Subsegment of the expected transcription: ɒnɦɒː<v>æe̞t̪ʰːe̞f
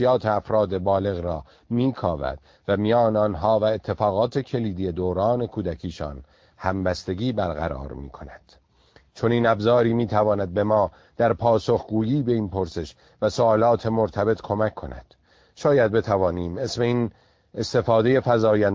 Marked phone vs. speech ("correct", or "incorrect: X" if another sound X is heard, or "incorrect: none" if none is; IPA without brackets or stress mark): correct